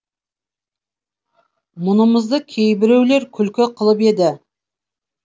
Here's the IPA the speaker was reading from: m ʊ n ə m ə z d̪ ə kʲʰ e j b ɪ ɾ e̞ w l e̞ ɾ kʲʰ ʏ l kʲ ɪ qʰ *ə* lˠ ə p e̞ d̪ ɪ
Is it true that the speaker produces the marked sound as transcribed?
yes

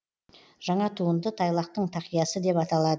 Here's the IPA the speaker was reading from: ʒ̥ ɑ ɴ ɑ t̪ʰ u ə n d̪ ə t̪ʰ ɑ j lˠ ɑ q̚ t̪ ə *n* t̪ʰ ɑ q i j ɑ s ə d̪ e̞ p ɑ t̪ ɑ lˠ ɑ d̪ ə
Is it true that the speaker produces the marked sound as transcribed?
no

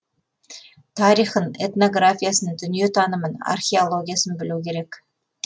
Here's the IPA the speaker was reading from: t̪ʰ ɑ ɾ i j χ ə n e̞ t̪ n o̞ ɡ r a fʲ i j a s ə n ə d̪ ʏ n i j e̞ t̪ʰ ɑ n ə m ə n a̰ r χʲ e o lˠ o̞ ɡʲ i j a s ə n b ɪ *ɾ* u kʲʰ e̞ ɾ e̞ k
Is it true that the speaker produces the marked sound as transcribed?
no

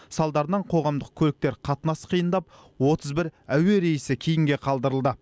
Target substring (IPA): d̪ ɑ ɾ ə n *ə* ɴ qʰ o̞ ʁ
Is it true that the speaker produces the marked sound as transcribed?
no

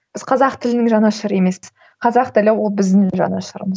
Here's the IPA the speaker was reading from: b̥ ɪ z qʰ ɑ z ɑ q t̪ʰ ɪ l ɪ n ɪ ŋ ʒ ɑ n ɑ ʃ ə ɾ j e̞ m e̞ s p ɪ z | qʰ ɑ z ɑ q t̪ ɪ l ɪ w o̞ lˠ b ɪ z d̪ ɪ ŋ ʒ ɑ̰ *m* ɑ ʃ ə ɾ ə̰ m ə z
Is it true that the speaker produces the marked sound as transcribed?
no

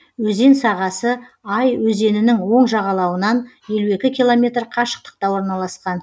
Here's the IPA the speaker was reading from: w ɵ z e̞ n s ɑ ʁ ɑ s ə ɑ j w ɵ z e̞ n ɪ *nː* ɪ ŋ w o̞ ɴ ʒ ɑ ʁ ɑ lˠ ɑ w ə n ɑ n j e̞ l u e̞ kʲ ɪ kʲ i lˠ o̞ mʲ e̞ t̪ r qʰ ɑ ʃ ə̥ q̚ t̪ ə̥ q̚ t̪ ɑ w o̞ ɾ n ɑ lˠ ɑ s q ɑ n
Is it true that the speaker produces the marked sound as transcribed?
no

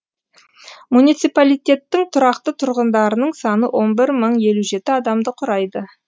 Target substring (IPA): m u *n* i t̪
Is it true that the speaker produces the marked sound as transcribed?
yes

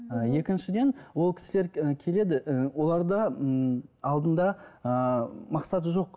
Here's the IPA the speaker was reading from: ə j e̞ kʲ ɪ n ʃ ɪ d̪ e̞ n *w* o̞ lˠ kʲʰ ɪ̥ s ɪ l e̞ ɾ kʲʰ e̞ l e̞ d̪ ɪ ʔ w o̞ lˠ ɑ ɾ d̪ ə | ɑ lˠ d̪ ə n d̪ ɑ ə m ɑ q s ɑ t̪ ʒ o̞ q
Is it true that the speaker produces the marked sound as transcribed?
yes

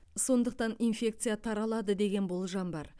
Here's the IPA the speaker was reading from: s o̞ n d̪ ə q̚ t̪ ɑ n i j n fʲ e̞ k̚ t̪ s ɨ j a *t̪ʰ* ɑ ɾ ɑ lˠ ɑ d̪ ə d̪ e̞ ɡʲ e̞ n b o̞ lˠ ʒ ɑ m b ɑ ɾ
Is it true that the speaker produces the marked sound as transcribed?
yes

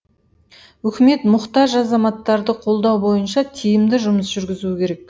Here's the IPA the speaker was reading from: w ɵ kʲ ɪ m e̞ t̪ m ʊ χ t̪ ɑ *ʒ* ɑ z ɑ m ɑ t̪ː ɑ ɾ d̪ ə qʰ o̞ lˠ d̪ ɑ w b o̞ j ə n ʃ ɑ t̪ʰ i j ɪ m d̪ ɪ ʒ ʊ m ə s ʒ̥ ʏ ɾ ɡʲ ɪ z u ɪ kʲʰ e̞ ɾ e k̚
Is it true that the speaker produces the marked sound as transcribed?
yes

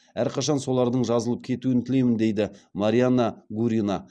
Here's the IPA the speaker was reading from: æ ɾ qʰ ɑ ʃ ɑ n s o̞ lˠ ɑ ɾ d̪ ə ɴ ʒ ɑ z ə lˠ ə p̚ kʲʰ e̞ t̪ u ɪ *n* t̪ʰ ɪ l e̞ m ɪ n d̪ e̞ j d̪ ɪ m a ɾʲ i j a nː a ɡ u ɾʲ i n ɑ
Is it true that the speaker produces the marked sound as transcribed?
yes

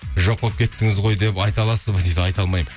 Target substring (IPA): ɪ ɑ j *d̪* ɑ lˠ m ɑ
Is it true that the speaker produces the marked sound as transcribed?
no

